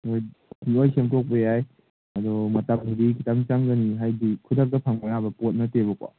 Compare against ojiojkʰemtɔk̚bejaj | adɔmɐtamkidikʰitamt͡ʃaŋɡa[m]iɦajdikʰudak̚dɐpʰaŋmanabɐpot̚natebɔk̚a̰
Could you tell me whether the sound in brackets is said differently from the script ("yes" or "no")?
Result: yes